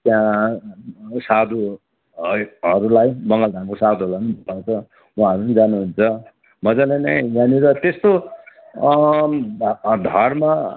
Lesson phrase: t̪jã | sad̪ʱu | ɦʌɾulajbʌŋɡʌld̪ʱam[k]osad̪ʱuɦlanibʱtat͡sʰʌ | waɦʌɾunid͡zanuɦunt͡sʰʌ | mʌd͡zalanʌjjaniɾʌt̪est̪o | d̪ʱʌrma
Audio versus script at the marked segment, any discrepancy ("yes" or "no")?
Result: no